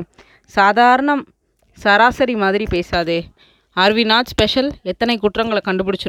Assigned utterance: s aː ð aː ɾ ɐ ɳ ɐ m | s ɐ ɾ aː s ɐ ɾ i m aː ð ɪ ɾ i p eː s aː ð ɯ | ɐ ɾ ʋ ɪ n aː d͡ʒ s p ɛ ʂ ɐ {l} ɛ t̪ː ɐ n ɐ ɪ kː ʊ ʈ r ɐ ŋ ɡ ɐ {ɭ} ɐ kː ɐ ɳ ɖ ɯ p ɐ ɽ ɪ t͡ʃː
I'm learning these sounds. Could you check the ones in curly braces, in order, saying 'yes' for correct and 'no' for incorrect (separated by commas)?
yes, yes